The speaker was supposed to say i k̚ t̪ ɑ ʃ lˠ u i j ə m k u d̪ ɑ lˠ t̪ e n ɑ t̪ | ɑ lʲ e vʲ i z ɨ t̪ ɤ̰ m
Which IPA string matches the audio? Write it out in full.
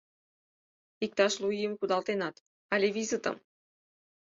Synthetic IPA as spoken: i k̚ t̪ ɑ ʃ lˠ u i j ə m k u d̪ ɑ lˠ t̪ e n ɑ t̪ | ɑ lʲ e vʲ i z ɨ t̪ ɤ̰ m